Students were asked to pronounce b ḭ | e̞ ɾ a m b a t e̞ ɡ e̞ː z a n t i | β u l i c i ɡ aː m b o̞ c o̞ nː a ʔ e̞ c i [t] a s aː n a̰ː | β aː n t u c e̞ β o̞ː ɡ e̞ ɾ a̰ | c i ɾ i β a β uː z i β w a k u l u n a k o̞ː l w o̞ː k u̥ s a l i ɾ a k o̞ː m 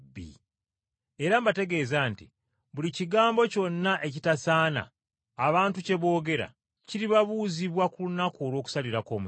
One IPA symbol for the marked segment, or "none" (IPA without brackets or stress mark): t